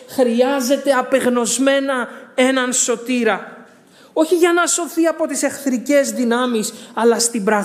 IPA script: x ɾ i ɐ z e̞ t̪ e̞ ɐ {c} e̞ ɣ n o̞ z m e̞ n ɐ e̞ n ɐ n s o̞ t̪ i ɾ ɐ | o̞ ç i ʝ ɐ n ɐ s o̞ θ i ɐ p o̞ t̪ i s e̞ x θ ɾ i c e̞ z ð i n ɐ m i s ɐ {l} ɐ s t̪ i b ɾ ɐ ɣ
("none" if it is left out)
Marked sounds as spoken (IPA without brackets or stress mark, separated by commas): p, l